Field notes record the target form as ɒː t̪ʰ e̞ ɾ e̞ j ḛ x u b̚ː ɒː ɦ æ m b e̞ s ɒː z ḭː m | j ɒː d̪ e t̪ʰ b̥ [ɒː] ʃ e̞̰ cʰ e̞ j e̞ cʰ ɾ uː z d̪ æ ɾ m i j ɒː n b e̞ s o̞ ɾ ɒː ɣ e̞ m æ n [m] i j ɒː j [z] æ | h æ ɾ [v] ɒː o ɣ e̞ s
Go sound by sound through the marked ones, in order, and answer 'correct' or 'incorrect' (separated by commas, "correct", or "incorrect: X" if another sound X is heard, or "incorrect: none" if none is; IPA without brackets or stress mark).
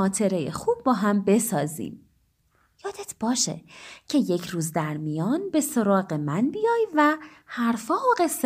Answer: correct, incorrect: b, incorrect: v, incorrect: f